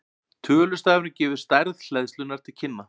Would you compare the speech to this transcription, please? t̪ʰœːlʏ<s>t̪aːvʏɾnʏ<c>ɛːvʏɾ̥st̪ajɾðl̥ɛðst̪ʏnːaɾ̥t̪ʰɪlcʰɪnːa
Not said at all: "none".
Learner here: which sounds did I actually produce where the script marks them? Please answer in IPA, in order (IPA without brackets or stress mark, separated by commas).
s, c